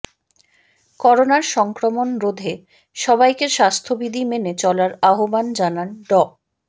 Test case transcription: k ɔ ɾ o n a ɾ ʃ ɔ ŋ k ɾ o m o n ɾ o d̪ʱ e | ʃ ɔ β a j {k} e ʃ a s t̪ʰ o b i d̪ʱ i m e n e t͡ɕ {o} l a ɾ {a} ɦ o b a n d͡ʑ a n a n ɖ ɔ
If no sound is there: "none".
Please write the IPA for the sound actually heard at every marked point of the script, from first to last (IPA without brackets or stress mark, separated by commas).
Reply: k, ɔ, a